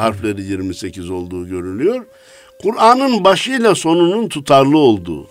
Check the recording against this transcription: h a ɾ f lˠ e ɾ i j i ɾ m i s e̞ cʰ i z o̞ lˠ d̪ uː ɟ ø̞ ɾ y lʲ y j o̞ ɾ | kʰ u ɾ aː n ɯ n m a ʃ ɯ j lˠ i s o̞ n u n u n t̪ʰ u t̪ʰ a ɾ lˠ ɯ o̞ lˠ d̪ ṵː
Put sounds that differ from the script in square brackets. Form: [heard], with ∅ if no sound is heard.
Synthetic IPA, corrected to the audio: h a ɾ f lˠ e ɾ i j i ɾ m i s e̞ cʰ i z o̞ lˠ d̪ uː ɟ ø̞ ɾ y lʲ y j o̞ ɾ | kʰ u ɾ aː n ɯ n [b] a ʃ ɯ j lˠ [a] s o̞ n u n u n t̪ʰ u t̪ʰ a ɾ lˠ ɯ o̞ lˠ d̪ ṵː